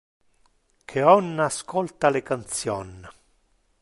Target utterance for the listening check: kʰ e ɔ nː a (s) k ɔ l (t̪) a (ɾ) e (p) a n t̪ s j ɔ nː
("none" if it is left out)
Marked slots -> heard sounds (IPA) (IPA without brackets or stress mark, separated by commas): s, t̪, l, k